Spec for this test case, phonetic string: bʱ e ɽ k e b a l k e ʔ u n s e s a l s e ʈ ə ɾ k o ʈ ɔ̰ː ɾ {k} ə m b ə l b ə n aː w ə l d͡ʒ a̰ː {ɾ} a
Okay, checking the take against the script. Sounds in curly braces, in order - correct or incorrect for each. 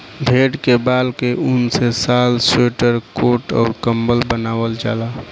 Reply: correct, incorrect: l

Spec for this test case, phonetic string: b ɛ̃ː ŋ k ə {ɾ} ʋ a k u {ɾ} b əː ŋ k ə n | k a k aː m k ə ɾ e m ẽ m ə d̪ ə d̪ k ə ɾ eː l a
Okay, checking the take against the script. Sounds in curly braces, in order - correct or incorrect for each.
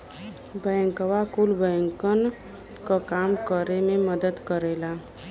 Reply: incorrect: none, incorrect: l

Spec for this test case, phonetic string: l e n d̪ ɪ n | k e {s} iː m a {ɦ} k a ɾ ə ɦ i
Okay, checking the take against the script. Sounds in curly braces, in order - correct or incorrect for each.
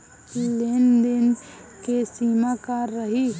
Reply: correct, incorrect: none

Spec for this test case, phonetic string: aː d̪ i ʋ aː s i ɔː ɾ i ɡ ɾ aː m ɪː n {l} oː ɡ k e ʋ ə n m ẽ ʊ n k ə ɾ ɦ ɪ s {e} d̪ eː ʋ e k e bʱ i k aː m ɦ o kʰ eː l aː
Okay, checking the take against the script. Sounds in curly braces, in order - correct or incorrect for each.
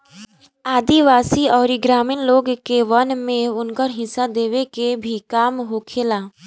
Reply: correct, incorrect: a

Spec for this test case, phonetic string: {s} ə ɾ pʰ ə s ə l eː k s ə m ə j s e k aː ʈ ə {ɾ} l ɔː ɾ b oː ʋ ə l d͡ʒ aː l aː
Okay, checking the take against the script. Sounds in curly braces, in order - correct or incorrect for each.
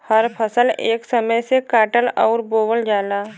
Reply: incorrect: h, incorrect: none

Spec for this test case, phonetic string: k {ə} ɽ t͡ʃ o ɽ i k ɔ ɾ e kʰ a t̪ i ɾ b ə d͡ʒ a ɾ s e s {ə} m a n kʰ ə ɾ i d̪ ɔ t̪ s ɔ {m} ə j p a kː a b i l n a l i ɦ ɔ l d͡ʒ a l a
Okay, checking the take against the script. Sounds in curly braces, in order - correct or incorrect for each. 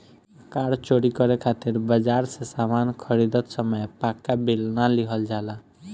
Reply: incorrect: a, incorrect: a, correct

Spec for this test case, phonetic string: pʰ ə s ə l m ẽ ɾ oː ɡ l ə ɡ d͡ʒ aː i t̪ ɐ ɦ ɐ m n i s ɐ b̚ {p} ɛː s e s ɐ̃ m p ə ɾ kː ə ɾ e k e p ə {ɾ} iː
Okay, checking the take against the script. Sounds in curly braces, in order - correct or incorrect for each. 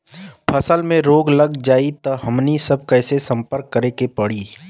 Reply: incorrect: k, incorrect: ɽ

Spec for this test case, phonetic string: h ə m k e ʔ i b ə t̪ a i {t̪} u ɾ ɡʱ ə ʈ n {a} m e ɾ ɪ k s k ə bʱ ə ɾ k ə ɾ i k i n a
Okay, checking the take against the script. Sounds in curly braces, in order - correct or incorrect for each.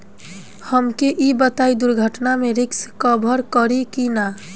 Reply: incorrect: d̪, correct

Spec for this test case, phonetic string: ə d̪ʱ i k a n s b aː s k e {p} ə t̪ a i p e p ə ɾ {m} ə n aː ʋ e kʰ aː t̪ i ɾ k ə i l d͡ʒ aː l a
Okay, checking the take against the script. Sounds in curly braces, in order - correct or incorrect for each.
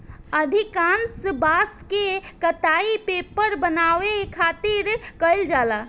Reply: incorrect: k, incorrect: b

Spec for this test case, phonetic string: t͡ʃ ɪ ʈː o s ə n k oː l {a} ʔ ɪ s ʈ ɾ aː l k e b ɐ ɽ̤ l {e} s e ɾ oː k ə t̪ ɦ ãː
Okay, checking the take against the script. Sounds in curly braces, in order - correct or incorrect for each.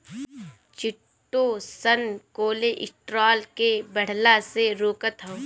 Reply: incorrect: e, incorrect: a

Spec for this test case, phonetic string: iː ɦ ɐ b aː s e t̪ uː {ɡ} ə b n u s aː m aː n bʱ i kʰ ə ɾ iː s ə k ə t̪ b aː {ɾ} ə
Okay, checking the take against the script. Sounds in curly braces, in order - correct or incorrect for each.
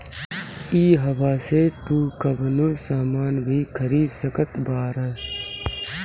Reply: incorrect: k, correct

